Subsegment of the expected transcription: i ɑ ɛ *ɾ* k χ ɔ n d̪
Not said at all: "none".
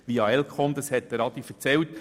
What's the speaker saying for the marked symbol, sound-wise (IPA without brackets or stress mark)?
l